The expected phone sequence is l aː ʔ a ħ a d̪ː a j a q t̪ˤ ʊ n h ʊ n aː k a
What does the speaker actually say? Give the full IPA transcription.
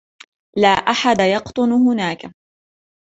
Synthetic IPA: l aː ʔ a ħ a d̪ a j ɑ q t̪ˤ ʊ n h ʊ n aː k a

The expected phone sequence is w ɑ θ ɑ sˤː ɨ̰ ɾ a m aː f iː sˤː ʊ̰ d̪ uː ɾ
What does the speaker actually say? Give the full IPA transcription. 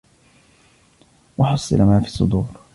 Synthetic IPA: w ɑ ħ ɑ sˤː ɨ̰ l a m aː f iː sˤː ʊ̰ d̪ uː ɾ

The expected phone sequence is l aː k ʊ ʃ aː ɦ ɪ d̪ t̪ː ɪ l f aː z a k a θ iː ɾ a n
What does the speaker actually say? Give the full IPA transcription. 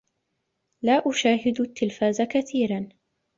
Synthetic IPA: l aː ʔ ʊ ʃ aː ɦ ɪ d̪ t̪ː ɪ l f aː z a k a θ iː ɾ a n

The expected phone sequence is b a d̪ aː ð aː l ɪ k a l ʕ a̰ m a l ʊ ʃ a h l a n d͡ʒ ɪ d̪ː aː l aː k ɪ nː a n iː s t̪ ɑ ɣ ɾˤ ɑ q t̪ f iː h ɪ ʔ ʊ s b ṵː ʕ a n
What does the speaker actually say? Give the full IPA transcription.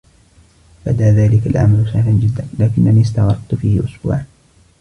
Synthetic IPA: b a d̪ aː ð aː l ɪ k a l ʕ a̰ m a l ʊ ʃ a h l a n d͡ʒ ɪ d̪ː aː l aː k ɪ nː a n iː s t̪ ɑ ɣ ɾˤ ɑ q t̪ f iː h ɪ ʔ ʊ s b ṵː ʕ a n

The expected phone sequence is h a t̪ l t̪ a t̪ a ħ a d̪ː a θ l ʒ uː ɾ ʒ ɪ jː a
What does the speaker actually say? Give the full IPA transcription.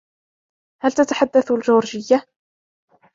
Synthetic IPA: h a l t̪ a t̪ a ħ a d̪ː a θ l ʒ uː ɾ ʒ ɪ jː a

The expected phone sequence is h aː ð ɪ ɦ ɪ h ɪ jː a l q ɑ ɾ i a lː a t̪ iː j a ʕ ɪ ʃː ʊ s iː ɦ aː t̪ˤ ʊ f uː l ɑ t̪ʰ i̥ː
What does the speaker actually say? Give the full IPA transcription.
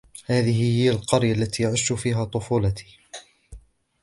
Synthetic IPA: h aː ð ɪ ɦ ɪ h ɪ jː a l q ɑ ɾ j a lː a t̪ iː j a ʕ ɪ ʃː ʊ f iː ɦ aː t̪ˤ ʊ f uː l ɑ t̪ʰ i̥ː

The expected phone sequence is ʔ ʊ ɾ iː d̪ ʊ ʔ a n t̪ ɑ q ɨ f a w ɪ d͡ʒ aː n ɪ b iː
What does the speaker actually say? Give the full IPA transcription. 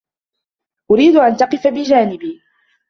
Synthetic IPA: ʔ ʊ ɾ iː d̪ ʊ ʔ a n t̪ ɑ q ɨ f a b ɪ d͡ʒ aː n ɪ b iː

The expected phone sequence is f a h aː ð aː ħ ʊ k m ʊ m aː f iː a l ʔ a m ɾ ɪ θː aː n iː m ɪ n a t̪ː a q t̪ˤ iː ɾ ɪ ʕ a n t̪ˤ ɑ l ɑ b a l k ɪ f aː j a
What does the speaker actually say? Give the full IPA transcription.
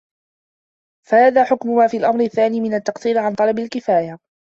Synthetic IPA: f a h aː ð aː ħ ʊ k m ʊ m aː f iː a l ʔ a m ɾ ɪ θː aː n iː m ɪ n a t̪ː ɑ q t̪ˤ iː ɾ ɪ ʕ a n t̪ˤ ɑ l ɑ b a l k ɪ f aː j a

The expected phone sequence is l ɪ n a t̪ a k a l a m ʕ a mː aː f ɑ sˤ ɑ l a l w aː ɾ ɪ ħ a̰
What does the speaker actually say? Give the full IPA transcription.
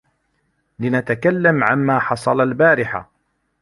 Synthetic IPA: l ɪ n a t̪ a k a lː a m ʕ a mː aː ħ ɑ sˤ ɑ l a l b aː ɾ ɪ ħ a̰

